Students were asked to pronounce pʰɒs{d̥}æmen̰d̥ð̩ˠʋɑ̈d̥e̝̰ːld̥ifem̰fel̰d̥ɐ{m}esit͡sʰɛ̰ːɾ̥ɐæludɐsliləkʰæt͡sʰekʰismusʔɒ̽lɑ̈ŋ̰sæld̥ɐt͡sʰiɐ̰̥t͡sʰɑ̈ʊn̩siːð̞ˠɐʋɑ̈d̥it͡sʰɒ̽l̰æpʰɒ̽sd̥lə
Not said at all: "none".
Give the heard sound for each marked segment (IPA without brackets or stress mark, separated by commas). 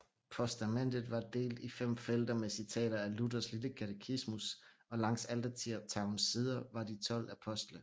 d̥, m